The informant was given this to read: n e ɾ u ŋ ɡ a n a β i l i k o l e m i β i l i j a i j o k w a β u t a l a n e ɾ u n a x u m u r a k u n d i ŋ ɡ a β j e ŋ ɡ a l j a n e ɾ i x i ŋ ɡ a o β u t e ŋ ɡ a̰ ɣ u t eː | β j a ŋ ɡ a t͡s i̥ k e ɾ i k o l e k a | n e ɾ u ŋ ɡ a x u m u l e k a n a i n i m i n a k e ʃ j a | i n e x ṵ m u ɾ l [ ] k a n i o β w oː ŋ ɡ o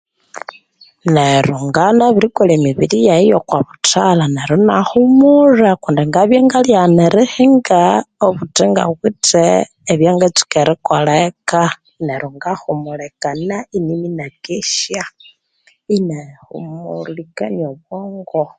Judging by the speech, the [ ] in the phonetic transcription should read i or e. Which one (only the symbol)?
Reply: i